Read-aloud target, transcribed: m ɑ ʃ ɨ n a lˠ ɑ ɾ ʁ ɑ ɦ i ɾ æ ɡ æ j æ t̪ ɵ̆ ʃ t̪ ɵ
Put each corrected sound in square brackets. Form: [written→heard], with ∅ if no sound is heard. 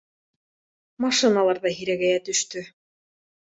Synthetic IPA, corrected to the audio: m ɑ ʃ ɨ n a lˠ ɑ ɾ [ʁ→ð] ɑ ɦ i ɾ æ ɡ æ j æ t̪ ɵ̆ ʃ t̪ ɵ